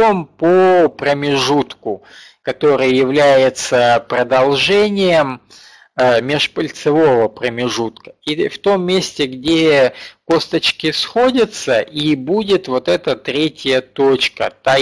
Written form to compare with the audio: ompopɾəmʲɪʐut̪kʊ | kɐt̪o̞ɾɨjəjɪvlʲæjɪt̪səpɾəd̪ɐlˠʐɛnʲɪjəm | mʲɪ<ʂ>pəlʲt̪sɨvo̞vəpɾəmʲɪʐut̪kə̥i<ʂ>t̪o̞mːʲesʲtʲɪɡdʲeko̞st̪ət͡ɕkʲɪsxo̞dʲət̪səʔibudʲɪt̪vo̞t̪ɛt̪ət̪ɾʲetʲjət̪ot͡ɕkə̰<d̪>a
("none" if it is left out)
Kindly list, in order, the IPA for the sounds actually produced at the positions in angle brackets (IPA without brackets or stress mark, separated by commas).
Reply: ʂ, f, t̪